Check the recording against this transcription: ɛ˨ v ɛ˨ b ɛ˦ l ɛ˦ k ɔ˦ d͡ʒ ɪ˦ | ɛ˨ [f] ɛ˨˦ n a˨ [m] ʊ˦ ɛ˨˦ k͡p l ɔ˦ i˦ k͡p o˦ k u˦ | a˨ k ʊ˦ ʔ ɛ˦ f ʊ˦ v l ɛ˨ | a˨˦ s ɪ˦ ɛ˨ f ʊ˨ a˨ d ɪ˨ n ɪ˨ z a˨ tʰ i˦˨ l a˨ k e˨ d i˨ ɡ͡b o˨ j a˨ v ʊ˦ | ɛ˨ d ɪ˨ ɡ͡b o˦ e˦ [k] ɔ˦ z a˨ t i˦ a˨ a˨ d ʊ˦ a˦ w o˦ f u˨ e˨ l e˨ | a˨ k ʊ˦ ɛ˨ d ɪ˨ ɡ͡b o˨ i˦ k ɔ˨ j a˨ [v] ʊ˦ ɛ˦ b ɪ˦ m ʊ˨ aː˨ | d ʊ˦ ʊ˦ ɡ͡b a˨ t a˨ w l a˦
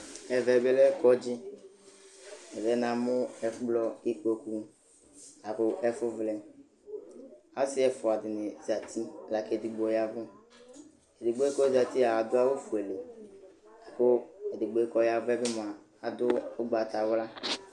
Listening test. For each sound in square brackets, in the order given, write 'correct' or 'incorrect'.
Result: incorrect: v, correct, correct, correct

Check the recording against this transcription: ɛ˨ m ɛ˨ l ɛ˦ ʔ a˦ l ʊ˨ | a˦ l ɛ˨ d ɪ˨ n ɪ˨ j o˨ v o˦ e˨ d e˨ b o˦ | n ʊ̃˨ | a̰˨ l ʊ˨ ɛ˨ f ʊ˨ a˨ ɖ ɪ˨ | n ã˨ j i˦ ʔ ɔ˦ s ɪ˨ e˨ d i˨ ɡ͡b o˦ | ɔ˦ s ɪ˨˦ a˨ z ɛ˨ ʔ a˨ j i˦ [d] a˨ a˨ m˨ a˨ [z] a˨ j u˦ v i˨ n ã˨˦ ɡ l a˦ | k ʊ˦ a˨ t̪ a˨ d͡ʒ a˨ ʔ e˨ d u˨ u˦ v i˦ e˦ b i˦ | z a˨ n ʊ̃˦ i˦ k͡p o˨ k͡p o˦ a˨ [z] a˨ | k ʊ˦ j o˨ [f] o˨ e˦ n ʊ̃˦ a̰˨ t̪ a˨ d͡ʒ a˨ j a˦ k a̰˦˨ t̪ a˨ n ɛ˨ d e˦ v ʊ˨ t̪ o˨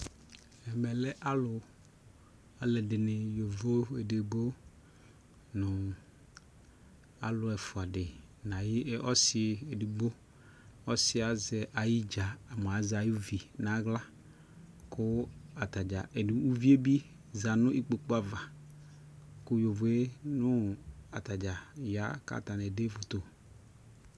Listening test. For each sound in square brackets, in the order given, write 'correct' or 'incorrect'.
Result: incorrect: d͡ʒ, correct, incorrect: v, incorrect: v

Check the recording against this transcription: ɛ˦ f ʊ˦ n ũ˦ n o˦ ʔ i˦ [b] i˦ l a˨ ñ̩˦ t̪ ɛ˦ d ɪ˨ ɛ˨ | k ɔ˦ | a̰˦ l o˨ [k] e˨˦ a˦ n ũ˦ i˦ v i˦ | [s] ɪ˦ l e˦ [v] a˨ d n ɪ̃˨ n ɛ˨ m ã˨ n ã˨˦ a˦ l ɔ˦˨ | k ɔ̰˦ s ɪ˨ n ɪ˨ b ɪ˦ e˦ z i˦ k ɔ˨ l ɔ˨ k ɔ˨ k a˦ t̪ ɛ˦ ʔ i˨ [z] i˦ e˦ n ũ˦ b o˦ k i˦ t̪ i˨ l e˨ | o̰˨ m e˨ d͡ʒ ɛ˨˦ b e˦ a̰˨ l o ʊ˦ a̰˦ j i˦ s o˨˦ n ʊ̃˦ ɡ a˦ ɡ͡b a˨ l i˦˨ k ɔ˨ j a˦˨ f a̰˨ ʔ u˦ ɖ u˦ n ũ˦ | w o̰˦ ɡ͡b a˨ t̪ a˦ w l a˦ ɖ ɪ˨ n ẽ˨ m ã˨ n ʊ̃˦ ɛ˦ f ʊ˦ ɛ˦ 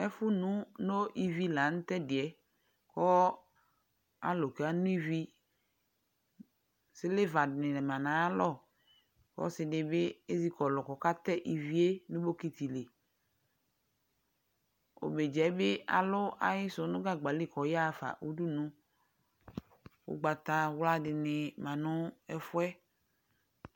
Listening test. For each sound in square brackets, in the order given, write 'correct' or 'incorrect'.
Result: incorrect: v, correct, correct, correct, incorrect: v

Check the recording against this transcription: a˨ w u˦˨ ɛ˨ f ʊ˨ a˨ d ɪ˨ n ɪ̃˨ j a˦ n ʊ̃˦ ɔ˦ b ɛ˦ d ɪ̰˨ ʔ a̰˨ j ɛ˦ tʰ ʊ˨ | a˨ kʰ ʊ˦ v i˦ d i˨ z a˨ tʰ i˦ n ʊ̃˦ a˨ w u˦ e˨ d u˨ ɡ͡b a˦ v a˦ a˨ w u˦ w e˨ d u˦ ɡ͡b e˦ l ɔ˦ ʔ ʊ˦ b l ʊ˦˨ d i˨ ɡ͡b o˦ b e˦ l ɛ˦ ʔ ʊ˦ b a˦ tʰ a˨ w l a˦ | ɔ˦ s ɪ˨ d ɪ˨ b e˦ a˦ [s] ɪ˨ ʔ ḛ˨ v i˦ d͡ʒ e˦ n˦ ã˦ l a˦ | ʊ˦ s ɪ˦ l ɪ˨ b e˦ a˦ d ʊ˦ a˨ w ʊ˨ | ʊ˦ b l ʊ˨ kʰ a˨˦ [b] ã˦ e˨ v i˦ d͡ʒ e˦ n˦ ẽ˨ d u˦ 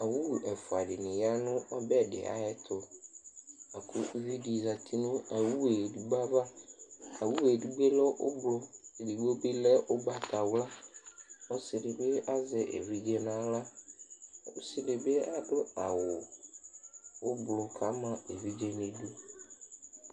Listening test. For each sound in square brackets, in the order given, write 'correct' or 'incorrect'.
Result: incorrect: z, incorrect: m

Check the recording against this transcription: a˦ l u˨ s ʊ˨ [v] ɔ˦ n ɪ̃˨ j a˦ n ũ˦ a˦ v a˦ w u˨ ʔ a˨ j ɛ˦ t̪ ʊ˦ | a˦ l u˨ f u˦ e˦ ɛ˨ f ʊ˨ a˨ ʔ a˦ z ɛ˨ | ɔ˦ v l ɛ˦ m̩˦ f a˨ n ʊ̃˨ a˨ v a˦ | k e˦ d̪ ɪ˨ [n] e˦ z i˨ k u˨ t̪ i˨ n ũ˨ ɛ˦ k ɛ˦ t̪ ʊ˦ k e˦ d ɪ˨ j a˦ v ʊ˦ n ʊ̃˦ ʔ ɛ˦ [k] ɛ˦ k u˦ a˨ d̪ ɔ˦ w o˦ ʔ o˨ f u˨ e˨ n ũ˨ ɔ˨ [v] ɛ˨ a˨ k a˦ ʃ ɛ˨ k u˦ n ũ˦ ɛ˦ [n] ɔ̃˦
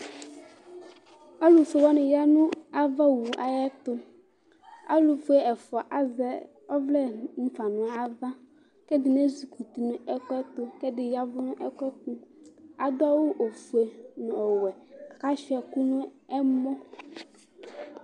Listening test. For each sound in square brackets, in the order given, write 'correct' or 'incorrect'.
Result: incorrect: w, correct, correct, incorrect: w, incorrect: m

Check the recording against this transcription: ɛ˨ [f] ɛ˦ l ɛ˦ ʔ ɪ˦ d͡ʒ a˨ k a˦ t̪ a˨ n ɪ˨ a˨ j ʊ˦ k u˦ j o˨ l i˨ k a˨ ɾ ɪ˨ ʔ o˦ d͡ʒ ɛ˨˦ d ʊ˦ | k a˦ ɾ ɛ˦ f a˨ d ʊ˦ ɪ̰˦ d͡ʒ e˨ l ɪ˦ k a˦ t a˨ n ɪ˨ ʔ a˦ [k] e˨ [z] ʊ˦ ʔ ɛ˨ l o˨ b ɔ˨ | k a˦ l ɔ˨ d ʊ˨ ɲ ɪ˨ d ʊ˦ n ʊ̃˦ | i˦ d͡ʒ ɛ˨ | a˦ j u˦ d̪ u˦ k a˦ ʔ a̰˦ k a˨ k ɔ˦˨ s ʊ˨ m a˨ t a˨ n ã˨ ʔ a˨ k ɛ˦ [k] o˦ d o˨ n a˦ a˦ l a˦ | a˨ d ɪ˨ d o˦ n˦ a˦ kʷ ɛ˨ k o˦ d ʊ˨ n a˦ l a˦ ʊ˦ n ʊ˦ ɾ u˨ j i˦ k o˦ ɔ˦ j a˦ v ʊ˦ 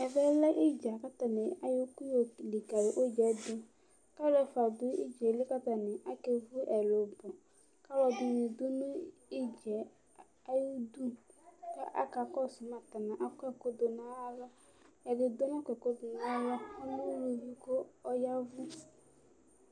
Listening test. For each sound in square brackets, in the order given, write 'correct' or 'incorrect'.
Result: incorrect: v, correct, incorrect: v, correct

